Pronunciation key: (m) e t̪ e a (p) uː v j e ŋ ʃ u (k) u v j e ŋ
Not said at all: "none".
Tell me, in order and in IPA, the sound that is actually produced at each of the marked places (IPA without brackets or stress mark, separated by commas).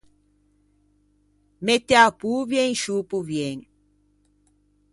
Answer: m, p, p